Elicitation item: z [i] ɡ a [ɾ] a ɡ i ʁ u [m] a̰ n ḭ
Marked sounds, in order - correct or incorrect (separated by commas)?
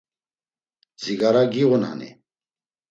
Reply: correct, correct, incorrect